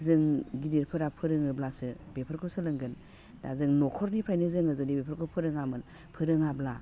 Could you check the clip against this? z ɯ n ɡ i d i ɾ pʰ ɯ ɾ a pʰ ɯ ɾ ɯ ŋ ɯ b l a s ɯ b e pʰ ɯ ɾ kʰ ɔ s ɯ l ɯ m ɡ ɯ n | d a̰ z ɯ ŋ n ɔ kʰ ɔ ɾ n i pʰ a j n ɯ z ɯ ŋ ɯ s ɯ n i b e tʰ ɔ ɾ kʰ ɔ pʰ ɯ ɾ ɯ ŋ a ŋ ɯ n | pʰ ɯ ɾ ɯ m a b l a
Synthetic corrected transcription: z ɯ ŋ ɡ i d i ɾ pʰ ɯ ɾ a pʰ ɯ ɾ ɯ ŋ ɯ b l a s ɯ b e pʰ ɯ ɾ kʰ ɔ s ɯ l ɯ ŋ ɡ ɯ n | d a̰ z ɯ ŋ n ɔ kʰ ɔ ɾ n i pʰ a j n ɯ z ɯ ŋ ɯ z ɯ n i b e pʰ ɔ ɾ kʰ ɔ pʰ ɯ ɾ ɯ ŋ a m ɯ n | pʰ ɯ ɾ ɯ ŋ a b l a